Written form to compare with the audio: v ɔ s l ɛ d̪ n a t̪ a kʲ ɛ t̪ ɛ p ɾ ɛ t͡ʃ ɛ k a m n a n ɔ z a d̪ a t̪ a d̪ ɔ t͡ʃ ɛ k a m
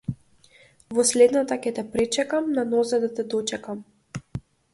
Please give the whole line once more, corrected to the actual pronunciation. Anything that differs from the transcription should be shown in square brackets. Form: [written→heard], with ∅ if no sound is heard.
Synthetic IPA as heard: v ɔ s l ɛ d̪ n a t̪ a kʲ ɛ t̪ ɛ p ɾ ɛ t͡ʃ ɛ k a m n a n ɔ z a d̪ a t̪ [a→ɛ] d̪ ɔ t͡ʃ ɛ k a m